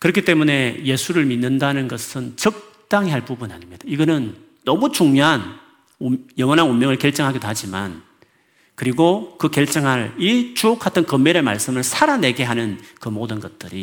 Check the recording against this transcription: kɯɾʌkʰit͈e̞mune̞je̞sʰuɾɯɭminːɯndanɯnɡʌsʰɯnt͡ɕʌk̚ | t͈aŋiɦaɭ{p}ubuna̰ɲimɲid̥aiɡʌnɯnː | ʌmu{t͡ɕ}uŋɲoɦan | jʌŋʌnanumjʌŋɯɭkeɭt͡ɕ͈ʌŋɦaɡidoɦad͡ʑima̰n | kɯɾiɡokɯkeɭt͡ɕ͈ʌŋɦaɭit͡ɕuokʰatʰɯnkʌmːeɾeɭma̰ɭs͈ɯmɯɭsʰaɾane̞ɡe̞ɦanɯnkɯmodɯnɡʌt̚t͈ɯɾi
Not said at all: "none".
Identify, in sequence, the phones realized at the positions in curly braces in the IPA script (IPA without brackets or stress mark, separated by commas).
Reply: p, t͡ɕ